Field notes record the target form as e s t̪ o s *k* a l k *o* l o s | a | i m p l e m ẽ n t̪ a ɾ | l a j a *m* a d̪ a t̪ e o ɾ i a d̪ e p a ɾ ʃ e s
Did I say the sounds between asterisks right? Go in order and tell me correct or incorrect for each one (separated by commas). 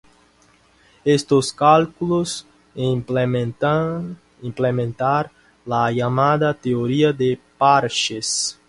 correct, incorrect, correct